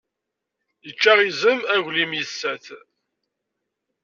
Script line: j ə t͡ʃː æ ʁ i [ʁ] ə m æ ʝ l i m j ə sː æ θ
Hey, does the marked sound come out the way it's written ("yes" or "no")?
no